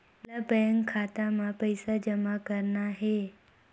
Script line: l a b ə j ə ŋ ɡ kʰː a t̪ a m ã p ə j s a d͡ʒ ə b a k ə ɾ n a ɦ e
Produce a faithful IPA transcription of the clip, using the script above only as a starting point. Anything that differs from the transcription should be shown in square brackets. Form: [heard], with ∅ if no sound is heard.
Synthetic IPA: l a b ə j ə ŋ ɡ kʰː a t̪ a m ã p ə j s a d͡ʒ ə [m] a k ə ɾ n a ɦ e